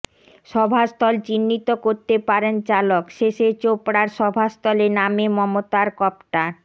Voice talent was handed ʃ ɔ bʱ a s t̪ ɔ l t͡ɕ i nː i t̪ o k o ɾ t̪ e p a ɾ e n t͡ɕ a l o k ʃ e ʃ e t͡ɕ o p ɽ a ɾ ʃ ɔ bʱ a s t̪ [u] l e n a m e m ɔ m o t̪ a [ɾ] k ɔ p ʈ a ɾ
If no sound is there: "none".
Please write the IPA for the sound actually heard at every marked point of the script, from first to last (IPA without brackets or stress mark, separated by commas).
ɔ, ɾ